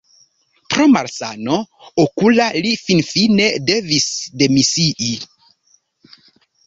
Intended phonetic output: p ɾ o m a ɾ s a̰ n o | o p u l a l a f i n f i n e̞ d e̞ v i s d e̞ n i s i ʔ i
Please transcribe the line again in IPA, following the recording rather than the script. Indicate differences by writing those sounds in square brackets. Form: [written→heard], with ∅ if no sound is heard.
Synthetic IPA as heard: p ɾ o m a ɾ s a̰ n o | o [p→k] u l a l [a→i] f i n f i n e̞ d e̞ v i s d e̞ [n→m] i s i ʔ i